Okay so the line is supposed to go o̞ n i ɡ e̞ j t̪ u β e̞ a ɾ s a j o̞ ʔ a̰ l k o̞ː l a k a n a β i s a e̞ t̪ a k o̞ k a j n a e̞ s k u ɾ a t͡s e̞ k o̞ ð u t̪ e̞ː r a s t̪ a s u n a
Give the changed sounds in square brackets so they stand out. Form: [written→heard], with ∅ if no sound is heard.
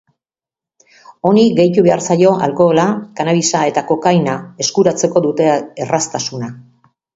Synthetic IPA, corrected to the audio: o̞ n i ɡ e̞ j t̪ u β e̞ a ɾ s a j o̞ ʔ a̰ l k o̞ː l a k a n a β i s a e̞ t̪ a k o̞ k a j n a e̞ s k u ɾ a t͡s e̞ k o̞ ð u t̪ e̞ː r a s t̪ a s u n a